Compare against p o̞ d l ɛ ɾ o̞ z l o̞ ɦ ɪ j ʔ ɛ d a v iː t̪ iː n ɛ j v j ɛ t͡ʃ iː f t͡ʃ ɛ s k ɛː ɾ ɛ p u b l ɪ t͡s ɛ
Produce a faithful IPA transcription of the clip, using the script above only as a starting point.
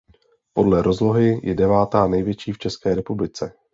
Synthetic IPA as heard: p o̞ d l ɛ ɾ o̞ z l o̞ ɦ ɪ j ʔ ɛ d ɛ v aː t̪ aː n ɛ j v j ɛ t͡ʃ iː f t͡ʃ ɛ s k ɛː ɾ ɛ p u b l ɪ t͡s ɛ